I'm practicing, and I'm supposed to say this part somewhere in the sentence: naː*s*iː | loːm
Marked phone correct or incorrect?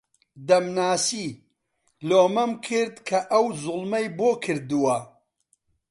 correct